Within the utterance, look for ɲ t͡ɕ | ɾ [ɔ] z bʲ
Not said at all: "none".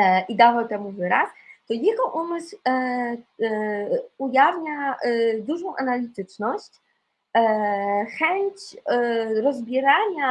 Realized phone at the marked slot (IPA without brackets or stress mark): ɔ